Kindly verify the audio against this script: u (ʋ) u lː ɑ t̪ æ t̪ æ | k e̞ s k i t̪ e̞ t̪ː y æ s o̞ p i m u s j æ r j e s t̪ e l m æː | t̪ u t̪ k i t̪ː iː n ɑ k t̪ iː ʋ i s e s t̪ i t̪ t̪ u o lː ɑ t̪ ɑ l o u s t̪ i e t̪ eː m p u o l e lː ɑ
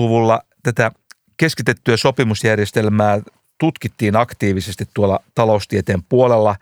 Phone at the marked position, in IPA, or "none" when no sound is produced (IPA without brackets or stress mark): ʋ